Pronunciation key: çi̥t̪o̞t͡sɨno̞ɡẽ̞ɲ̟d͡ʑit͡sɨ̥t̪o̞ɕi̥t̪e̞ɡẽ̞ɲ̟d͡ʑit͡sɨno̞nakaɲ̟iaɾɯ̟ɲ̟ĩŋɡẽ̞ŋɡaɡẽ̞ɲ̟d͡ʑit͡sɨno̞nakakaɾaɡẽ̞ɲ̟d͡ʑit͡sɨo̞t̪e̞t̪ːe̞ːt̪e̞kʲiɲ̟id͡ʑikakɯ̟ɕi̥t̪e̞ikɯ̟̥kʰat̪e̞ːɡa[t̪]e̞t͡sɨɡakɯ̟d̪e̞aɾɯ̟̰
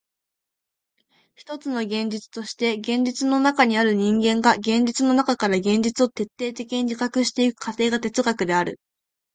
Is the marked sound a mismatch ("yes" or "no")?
no